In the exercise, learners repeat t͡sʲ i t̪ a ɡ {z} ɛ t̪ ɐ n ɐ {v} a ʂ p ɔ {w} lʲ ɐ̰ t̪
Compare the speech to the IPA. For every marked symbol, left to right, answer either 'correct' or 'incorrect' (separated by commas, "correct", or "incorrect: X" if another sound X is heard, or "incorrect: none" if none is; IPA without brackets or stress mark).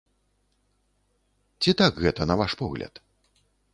incorrect: ɣ, correct, incorrect: ɣ